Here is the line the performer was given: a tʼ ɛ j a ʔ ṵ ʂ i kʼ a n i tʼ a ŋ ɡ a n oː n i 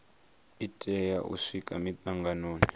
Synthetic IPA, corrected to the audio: i tʼ ɛ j a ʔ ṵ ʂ i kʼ a m i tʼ a ŋ ɡ a n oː n i